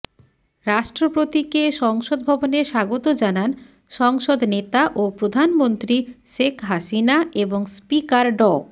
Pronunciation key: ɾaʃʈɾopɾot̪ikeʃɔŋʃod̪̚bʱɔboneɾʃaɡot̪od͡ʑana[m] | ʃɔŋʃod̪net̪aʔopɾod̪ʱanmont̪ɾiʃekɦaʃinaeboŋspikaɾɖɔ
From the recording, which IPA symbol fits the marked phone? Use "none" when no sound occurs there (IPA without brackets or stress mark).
n